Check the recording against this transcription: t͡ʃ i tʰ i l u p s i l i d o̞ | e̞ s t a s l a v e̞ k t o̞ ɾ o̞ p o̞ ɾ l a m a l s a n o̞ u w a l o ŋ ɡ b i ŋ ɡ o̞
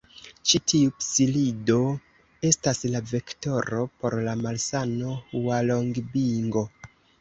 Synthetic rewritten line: t͡ʃ i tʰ i u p s i l i d o̞ | e̞ s t a s l a v e̞ k t o̞ ɾ o̞ p o̞ ɾ l a m a l s a n o̞ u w a l o ŋ ɡ b i ŋ ɡ o̞